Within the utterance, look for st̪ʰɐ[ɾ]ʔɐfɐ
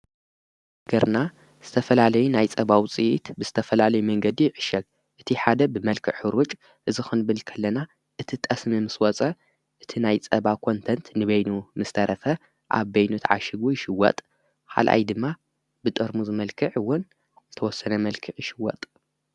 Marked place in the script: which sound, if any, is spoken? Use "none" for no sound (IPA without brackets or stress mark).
ɾ